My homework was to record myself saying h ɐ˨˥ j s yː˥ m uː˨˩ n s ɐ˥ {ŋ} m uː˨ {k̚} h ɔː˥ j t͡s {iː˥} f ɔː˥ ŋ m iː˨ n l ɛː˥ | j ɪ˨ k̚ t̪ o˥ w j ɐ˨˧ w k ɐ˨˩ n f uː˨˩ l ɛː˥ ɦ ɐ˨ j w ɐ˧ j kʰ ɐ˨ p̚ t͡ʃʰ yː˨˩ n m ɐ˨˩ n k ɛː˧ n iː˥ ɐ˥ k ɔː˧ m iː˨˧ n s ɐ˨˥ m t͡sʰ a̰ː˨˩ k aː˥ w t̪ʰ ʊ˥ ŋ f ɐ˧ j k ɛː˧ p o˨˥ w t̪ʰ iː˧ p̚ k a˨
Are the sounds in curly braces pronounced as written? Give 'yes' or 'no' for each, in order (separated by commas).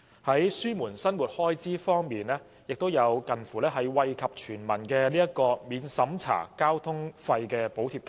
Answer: no, no, yes